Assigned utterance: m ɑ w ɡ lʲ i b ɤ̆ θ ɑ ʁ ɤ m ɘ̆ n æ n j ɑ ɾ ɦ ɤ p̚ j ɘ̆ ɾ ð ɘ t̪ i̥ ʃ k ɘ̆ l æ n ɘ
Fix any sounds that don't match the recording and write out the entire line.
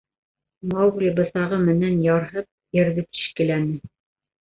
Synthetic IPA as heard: m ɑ w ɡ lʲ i b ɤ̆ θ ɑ ʁ ɤ m ɘ̆ n æ n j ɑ ɾ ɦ ɤ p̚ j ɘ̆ ɾ ð ɘ t̪ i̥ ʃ k ɘ̆ l æ n ɘ